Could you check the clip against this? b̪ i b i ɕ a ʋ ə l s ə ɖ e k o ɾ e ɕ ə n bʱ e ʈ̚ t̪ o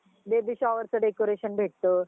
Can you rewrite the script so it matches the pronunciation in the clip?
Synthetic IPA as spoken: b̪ e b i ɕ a ʋ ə ɾ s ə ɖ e k o ɾ e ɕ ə n bʱ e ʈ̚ t̪ o